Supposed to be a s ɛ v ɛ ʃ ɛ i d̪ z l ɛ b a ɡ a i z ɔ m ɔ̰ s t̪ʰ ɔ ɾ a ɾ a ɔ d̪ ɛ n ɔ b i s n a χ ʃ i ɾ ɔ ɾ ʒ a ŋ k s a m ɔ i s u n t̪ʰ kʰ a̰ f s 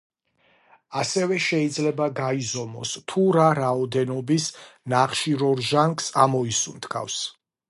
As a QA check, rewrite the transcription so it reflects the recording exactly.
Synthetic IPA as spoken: a s ɛ v ɛ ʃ ɛ i d̪ z l ɛ b a ɡ a i z ɔ m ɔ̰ s t̪ʰ u ɾ a ɾ a ɔ d̪ ɛ n ɔ b i s n a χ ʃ i ɾ ɔ ɾ ʒ a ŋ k s a m ɔ i s u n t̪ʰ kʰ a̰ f s